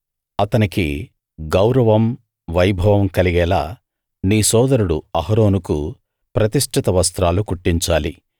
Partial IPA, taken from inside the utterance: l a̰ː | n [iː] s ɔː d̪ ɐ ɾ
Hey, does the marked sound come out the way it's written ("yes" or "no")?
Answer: yes